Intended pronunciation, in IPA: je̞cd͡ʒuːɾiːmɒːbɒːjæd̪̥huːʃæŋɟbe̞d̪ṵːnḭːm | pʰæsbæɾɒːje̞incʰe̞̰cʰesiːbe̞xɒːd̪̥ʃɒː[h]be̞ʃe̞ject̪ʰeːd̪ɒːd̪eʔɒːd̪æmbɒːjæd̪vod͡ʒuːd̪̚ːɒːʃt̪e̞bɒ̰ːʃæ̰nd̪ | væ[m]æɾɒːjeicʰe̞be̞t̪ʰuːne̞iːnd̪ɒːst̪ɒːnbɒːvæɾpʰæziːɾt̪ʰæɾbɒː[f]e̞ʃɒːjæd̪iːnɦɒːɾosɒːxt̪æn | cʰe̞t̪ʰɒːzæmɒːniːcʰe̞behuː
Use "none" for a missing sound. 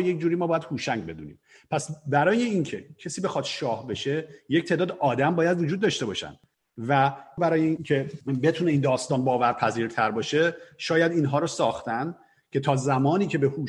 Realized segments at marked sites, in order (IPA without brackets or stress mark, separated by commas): h, b, ʃ